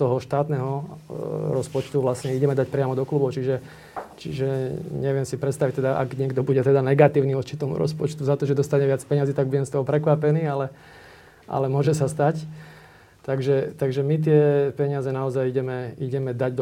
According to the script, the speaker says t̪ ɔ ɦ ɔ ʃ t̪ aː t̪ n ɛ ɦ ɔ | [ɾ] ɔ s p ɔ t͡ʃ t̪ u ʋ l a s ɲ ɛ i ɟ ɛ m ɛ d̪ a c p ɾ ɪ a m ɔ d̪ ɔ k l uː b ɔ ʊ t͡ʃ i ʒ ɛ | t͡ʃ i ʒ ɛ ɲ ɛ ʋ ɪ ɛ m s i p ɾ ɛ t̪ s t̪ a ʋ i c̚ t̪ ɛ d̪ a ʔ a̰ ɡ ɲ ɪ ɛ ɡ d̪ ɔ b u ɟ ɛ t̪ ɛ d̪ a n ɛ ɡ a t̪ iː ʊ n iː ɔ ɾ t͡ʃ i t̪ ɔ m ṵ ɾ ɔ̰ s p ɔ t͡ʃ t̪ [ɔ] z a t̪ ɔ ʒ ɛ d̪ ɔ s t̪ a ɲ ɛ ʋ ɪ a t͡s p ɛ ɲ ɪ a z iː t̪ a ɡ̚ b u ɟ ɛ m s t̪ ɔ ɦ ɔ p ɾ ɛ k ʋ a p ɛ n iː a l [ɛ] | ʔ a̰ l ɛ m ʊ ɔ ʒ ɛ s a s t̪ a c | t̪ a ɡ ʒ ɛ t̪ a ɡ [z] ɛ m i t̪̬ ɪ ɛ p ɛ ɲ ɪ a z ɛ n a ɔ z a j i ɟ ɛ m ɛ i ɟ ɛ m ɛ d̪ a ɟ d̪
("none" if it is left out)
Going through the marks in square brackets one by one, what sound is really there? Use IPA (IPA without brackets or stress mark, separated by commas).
ɾ, u, ɛ, ʒ